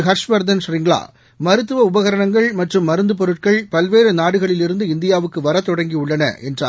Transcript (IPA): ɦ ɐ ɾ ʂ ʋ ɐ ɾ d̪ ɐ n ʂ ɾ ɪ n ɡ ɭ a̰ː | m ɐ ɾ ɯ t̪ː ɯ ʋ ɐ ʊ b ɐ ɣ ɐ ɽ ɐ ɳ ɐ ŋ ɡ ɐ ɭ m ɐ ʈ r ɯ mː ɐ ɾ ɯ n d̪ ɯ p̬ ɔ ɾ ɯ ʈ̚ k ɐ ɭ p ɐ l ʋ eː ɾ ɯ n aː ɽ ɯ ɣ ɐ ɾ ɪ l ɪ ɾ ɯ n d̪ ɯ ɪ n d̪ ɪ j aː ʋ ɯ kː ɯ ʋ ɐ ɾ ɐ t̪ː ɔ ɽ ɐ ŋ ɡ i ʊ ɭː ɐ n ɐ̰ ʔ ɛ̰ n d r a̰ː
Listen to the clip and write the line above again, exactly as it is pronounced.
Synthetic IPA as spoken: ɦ ɐ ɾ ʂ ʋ ɐ ɾ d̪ ɐ n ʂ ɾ ɪ ŋ ɡ ɭ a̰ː | m ɐ ɾ ɯ t̪ː ɯ ʋ ɐ ʊ b ɐ ɣ ɐ ɾ ɐ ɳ ɐ ŋ ɡ ɐ ɭ m ɐ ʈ r ɯ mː ɐ ɾ ɯ n d̪ ɯ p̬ ɔ ɾ ɯ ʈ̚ k ɐ ɭ p ɐ l ʋ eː ɾ ɯ n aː ɽ ɯ ɣ ɐ ɭ ɪ l ɪ ɾ ɯ n d̪ ɯ ɪ n d̪ ɪ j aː ʋ ɯ kː ɯ ʋ ɐ ɾ ɐ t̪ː ɔ ɽ ɐ ŋ ɡ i ʊ ɭː ɐ n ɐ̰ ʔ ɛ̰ n d r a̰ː